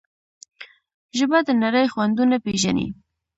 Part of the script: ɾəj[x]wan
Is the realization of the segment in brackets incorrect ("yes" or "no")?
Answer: no